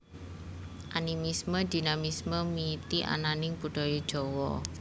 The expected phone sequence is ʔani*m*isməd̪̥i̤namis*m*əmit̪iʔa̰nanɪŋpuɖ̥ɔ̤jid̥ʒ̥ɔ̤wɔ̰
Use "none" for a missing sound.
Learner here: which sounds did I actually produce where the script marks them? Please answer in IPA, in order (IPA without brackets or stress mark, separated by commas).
m, m